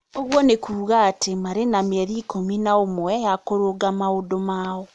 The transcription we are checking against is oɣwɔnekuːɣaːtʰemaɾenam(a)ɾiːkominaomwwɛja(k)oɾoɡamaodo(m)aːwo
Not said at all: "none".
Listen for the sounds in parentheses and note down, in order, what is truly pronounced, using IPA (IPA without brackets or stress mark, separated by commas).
e, k, m